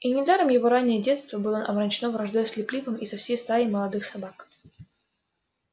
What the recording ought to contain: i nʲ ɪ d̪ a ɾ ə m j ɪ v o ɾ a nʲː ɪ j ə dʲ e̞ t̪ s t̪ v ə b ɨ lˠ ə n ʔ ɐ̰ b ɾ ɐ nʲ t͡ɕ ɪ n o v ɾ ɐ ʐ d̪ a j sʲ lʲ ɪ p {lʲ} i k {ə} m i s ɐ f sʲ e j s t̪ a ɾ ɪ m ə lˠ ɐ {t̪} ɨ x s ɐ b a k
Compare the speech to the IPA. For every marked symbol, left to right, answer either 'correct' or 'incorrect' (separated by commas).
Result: correct, correct, incorrect